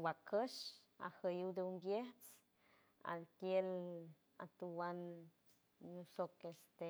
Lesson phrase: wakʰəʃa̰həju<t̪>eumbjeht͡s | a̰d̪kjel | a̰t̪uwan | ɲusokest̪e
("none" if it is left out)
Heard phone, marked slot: d̪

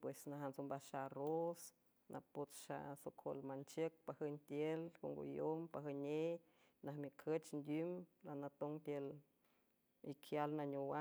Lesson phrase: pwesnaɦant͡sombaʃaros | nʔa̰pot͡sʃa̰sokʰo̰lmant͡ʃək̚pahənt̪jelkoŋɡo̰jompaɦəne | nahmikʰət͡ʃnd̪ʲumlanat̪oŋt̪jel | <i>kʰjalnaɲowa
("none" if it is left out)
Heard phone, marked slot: i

